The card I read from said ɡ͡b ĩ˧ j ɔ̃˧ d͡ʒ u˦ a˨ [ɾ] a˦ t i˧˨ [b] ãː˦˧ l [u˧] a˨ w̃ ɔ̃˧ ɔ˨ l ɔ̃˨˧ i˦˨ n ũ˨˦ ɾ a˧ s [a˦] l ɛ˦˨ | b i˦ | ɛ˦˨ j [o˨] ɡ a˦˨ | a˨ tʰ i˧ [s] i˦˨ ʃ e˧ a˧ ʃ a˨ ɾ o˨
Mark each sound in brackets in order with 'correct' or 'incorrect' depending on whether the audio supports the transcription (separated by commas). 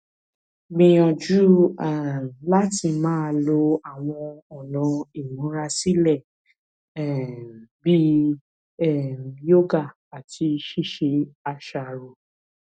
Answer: incorrect, incorrect, incorrect, incorrect, incorrect, incorrect